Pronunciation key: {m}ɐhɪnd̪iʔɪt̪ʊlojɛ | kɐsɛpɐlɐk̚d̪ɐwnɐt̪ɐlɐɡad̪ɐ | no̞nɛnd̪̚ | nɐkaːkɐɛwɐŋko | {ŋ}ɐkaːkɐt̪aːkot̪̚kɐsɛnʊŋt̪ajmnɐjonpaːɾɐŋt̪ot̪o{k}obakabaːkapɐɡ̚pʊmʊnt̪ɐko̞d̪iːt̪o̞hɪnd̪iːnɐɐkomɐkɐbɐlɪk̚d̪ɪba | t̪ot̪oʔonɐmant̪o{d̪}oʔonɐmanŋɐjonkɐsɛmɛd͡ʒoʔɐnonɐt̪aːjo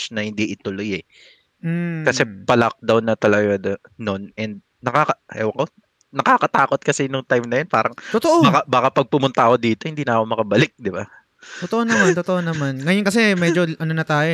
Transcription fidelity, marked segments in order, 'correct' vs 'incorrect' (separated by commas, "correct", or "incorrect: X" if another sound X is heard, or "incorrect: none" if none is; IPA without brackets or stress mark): incorrect: n, incorrect: n, incorrect: ʔ, incorrect: t̪